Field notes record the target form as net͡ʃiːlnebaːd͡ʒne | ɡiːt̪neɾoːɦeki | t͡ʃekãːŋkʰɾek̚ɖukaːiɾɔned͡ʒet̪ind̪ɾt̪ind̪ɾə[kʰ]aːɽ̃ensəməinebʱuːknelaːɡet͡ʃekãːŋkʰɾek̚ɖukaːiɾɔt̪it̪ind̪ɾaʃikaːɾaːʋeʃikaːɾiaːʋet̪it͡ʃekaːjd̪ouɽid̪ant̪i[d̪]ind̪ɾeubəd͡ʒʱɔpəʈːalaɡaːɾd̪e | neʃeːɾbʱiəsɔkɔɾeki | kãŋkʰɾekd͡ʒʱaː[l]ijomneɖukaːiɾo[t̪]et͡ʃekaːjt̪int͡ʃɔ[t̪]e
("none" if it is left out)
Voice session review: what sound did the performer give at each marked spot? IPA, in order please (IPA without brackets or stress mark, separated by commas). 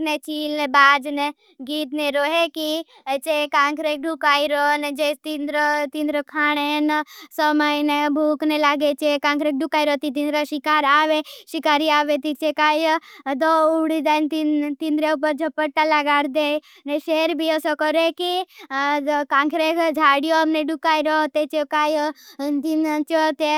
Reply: kʰ, t̪, ɽ, t̪, t̪